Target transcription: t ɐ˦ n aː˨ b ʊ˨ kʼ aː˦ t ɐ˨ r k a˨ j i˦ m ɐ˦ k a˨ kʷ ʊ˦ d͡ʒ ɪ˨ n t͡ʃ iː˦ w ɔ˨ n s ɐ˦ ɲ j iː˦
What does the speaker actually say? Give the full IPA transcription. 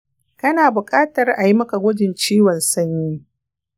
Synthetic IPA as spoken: k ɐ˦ n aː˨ b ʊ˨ kʼ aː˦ t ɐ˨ r ʔ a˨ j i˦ m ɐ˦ k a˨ ɡʷ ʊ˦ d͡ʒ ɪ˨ n t͡ʃ iː˦ w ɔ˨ n s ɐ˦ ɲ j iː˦